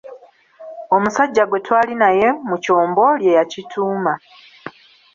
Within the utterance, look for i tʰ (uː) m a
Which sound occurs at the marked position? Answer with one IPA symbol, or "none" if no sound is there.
uː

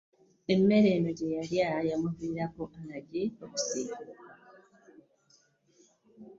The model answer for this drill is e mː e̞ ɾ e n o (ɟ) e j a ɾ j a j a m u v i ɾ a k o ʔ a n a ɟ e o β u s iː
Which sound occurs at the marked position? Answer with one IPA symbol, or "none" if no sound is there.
ɟ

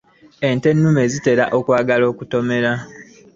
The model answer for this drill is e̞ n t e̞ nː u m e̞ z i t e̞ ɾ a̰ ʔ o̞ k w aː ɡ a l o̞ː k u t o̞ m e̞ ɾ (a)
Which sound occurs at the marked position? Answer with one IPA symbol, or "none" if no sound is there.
a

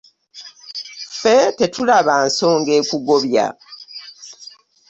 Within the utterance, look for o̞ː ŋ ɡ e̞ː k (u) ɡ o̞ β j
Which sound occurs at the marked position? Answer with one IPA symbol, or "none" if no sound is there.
u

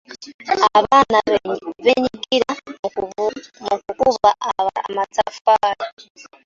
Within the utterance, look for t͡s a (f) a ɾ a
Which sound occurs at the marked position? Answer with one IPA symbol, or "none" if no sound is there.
f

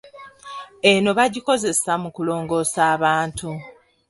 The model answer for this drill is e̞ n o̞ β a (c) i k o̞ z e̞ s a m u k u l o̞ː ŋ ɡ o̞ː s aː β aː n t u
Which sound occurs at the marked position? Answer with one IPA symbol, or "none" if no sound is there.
ɟ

